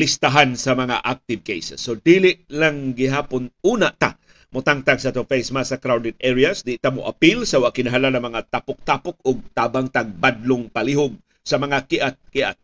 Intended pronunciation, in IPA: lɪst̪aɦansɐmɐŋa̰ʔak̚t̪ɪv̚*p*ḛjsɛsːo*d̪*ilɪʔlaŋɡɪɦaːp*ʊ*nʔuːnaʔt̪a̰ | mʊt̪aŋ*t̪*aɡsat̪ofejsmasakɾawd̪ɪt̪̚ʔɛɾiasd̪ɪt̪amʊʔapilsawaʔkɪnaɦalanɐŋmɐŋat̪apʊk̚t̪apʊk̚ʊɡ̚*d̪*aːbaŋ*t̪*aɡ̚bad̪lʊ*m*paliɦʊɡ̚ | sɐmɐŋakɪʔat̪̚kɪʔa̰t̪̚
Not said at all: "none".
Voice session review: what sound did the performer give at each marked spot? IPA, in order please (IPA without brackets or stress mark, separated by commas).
k, d̪, ʊ, t̪, t̪, t̪, ŋ